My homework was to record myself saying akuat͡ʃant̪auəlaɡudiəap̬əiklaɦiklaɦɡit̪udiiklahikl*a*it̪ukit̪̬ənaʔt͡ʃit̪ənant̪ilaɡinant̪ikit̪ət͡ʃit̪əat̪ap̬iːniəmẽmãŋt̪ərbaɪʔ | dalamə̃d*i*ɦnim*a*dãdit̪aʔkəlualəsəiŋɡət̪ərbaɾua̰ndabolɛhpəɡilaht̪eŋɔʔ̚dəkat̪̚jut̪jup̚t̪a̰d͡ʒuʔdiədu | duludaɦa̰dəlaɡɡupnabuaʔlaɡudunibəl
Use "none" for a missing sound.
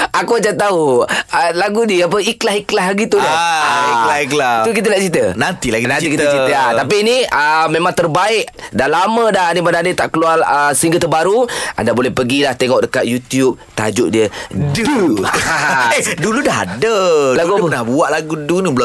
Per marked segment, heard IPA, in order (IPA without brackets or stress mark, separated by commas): a, a, a